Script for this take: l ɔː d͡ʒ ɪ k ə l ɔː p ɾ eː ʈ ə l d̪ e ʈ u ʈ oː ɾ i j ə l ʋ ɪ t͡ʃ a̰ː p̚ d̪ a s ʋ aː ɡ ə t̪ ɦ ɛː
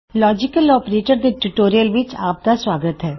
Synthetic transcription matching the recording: l ɔː d͡ʒ ɪ k ə l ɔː p ɾ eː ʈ ə ɾ d̪ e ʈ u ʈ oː ɾ i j ə l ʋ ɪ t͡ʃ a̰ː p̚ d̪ a s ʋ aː ɡ ə t̪ ɦ ɛː

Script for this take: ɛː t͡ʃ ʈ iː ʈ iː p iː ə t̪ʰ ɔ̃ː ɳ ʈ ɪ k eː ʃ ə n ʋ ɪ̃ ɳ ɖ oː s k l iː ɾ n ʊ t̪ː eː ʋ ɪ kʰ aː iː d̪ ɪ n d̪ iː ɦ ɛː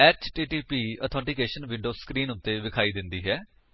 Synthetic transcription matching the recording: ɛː t͡ʃ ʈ iː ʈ iː p iː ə t̪ʰ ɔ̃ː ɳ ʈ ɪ k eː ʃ ə n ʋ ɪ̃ ɳ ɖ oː s k ɾ iː n ʊ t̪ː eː ʋ ɪ kʰ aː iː d̪ ɪ n d̪ iː ɦ ɛː

